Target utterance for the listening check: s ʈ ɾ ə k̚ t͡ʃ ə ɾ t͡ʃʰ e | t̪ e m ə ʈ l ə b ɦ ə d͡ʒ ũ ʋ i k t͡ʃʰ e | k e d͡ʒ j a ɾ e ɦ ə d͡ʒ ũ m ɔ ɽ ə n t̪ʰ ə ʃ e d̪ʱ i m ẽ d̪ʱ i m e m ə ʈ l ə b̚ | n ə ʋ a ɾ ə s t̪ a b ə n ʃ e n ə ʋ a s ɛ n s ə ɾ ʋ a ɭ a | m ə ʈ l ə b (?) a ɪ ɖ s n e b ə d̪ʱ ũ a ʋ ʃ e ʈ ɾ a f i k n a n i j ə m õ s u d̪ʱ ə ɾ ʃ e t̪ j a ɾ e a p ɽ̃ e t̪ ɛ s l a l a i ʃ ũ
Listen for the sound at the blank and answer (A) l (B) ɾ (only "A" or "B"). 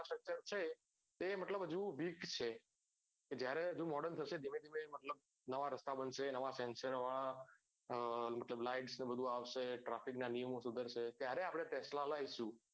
A